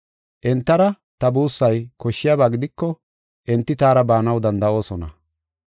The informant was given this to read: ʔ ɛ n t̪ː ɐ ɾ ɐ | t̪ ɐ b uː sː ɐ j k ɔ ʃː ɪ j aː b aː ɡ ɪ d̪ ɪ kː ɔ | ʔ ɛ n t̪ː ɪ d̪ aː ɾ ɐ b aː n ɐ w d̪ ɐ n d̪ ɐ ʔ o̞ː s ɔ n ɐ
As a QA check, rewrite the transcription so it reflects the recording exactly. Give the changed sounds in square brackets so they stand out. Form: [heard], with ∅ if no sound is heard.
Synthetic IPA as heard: ʔ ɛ n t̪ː ɐ ɾ ɐ | t̪ ɐ b uː sː ɐ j k ɔ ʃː ɪ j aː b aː ɡ ɪ d̪ ɪ kː ɔ | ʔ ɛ n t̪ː ɪ [t̪] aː ɾ ɐ b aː n ɐ w d̪ ɐ n d̪ ɐ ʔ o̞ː s ɔ n ɐ